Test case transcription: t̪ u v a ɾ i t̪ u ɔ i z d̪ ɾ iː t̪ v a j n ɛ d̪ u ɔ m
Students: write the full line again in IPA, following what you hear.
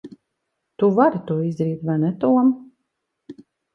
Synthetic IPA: t̪ u v a ɾ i t̪ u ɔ i z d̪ ɾ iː t̪ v a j n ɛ t̪ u ɔ m